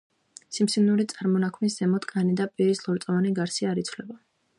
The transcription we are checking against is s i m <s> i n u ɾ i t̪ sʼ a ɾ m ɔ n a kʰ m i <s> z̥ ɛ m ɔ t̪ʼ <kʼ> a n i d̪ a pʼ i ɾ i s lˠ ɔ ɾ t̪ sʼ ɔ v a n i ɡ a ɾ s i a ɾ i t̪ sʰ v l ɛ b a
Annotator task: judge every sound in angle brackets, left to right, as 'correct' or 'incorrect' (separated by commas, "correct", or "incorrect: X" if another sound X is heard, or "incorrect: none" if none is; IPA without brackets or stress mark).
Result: correct, correct, correct